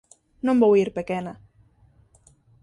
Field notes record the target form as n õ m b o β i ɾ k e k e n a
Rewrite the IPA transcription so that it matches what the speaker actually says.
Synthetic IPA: n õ m b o w i ɾ p e k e n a